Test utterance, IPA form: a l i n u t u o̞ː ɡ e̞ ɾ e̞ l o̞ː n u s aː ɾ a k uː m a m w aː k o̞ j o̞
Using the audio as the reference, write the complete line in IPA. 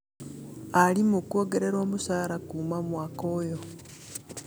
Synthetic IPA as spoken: a l i m u k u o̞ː ɡ e̞ ɾ e̞ ɾ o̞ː m u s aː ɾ a k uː m a m w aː k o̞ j o̞